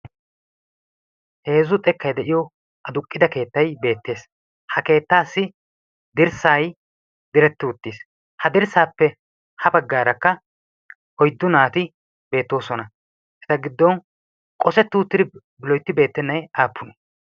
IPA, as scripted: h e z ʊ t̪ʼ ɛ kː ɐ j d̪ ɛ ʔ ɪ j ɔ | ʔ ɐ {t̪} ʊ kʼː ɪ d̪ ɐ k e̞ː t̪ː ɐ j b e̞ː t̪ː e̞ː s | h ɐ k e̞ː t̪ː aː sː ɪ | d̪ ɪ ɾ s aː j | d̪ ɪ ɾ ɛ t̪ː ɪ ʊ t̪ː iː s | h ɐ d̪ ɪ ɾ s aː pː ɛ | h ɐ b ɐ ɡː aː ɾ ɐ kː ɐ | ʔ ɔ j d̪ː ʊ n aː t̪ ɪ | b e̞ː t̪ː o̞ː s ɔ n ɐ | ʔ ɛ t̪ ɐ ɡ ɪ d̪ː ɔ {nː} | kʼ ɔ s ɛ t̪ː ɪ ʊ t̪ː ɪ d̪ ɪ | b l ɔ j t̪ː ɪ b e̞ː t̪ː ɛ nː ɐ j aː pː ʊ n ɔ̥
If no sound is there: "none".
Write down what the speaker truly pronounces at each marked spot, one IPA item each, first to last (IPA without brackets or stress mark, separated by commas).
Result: d̪, n